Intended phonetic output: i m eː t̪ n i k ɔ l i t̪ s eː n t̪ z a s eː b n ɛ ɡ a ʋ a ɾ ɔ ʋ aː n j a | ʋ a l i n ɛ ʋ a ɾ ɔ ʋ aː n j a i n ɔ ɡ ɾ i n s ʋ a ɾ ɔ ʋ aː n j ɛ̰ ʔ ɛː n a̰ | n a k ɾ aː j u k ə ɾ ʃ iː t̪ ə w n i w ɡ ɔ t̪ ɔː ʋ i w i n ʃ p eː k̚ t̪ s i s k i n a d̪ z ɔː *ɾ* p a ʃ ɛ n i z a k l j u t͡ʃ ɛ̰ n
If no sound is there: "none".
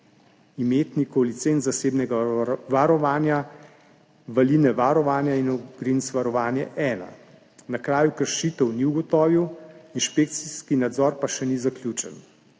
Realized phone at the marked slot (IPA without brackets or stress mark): ɾ